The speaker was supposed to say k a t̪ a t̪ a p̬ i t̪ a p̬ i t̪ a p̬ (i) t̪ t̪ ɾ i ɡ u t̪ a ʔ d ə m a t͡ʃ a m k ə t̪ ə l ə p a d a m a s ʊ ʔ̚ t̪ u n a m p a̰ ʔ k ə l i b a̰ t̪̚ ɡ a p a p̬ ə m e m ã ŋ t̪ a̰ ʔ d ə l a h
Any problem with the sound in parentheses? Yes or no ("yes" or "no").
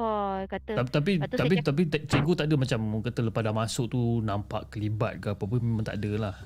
no